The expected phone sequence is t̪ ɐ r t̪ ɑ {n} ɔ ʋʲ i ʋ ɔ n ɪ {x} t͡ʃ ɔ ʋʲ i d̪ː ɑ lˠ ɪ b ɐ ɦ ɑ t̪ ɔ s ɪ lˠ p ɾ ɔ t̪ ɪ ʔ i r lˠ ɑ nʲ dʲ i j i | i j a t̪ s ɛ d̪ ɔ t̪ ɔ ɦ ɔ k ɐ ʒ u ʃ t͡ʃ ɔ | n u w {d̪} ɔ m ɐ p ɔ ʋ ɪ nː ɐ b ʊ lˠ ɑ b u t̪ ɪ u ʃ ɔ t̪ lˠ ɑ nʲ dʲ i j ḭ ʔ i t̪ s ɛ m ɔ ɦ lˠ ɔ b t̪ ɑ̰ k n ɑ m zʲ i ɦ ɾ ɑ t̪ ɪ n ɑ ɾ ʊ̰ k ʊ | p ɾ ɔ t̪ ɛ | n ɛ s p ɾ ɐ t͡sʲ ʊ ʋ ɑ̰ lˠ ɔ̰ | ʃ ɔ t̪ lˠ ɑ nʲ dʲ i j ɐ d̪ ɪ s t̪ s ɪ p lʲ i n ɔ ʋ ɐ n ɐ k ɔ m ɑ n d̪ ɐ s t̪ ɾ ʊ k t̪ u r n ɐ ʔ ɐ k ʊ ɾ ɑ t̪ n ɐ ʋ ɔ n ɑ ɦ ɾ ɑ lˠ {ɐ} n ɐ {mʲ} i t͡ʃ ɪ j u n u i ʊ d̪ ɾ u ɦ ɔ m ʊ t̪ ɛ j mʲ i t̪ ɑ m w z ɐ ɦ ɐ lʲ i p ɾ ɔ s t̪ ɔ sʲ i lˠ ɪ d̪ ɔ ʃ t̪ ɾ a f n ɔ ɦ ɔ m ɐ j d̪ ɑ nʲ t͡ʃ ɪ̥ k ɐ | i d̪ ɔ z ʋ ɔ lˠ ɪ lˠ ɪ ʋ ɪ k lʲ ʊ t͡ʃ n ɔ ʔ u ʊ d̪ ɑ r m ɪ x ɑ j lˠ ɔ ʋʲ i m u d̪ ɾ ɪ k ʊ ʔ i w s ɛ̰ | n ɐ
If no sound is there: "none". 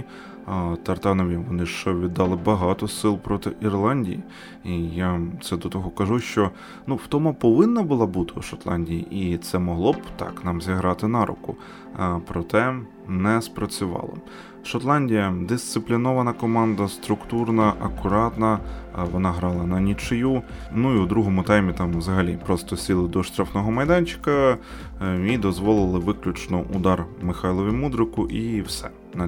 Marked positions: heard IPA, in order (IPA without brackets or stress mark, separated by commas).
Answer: n, ʃ, t̪, ɐ, nʲ